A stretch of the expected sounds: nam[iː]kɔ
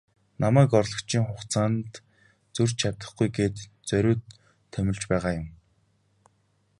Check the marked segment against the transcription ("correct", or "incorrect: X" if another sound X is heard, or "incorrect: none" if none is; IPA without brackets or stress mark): incorrect: æː